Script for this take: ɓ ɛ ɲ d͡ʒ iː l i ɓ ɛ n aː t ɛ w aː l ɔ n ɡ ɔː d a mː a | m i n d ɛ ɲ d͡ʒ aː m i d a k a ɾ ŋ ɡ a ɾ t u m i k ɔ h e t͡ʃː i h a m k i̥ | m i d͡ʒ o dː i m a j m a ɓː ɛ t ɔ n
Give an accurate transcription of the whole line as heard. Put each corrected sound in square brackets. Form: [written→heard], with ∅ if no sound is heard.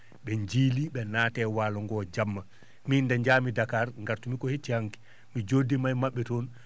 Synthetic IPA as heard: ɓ ɛ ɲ d͡ʒ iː l i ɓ ɛ n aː t ɛ w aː l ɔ [n→ŋ] ɡ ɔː [d→d͡ʒ] a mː a | m i n d ɛ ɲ d͡ʒ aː m i d a k a ɾ ŋ ɡ a ɾ t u m i k ɔ h e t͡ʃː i h a [m→ŋ] k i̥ | m i d͡ʒ o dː i m a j m a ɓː ɛ t ɔ n